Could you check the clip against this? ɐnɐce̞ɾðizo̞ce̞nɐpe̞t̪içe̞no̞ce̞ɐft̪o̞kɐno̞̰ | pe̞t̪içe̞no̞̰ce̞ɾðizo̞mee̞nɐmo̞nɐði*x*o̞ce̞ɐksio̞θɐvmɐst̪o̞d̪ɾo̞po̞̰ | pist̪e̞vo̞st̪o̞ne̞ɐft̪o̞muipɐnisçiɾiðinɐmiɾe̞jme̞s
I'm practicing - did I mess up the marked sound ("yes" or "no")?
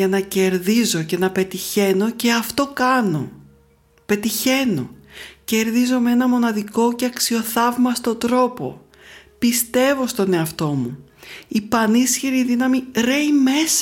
yes